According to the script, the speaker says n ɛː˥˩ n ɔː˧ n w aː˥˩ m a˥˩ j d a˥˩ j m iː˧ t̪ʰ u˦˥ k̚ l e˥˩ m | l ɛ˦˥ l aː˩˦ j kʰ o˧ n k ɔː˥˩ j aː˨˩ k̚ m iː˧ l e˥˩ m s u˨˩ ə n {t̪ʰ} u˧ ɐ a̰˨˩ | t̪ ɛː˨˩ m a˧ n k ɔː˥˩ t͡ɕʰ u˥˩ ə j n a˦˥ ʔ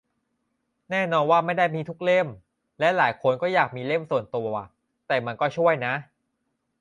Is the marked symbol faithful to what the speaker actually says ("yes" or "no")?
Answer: no